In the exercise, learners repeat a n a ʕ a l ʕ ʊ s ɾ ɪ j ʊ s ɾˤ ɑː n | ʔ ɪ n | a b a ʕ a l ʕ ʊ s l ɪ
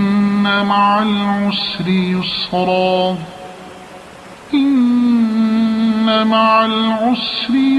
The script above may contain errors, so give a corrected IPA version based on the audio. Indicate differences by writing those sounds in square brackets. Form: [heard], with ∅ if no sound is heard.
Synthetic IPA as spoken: a [m] a ʕ a l ʕ ʊ s ɾ ɪ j ʊ s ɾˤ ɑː [∅] | ʔ ɪ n | a [m] a ʕ a l ʕ ʊ s [ɾ] ɪ